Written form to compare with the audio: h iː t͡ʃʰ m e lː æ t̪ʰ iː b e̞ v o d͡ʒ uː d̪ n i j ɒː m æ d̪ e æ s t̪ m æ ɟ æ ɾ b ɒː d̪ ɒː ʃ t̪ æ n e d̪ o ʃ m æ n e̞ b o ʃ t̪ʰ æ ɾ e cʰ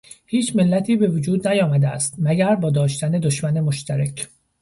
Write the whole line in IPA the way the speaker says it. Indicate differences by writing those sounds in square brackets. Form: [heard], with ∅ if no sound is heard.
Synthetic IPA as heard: h iː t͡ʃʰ m e lː æ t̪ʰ iː b e̞ v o d͡ʒ uː d̪ n [æ] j ɒː m æ d̪ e æ s t̪ m æ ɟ æ ɾ b ɒː d̪ ɒː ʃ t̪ æ n e d̪ o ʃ m æ n e̞ [m] o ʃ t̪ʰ æ ɾ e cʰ